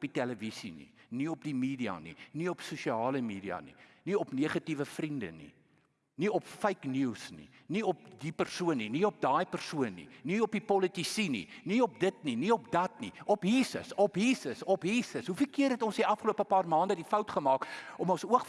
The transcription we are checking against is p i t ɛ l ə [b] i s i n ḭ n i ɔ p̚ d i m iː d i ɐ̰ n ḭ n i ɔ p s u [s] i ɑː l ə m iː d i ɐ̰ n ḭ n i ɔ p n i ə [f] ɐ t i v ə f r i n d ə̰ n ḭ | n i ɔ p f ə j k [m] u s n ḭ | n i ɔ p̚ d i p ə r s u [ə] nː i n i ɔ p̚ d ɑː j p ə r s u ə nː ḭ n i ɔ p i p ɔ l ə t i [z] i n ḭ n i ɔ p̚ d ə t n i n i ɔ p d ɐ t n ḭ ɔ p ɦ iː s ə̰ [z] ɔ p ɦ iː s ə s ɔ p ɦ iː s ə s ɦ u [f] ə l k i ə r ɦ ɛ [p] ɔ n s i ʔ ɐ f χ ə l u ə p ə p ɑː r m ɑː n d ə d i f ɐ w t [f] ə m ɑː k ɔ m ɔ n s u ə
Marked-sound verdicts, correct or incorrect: incorrect: v, incorrect: ʃ, incorrect: χ, incorrect: n, correct, incorrect: s, incorrect: s, correct, incorrect: t, incorrect: χ

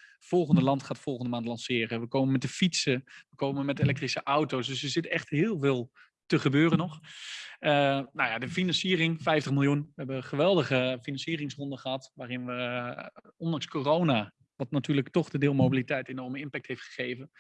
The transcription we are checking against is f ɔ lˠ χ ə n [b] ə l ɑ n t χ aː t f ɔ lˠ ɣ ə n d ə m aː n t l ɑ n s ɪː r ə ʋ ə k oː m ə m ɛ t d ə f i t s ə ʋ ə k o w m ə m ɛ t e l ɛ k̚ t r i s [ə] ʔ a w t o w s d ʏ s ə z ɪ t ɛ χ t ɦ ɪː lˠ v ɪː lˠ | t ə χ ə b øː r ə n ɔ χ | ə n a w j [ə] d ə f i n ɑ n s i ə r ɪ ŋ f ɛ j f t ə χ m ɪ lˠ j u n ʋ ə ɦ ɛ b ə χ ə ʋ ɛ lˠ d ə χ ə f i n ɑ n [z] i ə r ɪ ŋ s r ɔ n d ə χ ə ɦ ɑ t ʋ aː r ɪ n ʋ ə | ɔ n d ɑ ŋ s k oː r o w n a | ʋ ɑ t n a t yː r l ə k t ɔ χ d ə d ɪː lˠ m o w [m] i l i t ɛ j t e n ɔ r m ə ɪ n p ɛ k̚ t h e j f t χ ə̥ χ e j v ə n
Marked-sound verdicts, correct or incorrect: incorrect: d, correct, incorrect: a, incorrect: s, incorrect: b

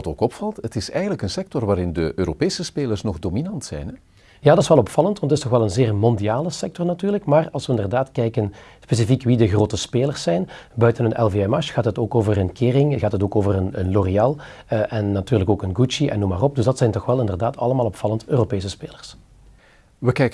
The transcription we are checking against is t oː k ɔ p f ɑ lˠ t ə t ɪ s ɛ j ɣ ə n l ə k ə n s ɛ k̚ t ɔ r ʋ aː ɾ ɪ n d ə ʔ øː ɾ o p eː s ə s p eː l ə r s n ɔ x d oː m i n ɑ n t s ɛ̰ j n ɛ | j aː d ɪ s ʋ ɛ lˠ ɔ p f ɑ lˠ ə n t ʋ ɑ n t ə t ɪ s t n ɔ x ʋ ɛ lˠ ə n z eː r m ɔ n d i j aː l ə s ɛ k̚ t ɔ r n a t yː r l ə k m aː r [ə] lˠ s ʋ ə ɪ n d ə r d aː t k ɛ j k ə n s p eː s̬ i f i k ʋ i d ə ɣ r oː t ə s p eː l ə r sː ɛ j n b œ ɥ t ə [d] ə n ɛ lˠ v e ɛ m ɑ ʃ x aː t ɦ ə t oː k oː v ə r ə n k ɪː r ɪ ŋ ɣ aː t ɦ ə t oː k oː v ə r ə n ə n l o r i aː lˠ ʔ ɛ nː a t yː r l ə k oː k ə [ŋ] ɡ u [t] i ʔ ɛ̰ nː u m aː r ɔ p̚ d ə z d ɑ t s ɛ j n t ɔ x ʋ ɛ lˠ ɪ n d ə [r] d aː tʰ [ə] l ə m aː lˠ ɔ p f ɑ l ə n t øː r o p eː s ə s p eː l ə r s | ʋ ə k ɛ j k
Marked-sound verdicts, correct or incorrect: incorrect: ɑ, incorrect: n, incorrect: n, incorrect: t͡ʃ, correct, incorrect: ɑ

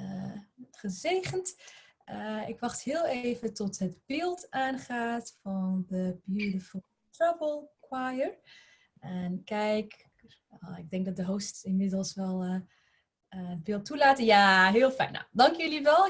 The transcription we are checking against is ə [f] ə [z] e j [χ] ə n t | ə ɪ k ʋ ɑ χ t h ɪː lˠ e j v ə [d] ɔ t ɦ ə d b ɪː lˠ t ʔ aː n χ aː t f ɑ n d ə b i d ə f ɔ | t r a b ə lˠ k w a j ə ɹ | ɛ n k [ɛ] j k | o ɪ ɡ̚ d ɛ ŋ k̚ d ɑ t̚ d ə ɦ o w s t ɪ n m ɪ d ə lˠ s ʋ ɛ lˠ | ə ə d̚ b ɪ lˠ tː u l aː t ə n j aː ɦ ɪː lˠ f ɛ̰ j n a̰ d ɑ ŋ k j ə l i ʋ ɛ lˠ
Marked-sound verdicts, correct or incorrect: incorrect: χ, correct, correct, incorrect: t, correct

